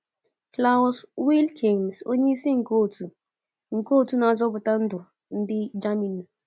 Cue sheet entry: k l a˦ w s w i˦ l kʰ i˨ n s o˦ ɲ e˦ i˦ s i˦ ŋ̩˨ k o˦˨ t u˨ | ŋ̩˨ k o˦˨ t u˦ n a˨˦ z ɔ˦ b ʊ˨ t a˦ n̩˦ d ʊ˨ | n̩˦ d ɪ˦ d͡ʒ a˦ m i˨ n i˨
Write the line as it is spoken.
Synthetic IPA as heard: k l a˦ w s w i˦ l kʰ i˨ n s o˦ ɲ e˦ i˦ s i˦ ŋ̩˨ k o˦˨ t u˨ | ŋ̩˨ k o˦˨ t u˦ n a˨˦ z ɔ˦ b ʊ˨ t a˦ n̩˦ d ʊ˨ | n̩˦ d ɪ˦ d͡ʒ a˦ m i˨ n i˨